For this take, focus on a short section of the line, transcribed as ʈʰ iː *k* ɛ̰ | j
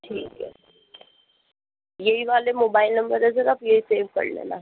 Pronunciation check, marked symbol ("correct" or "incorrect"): correct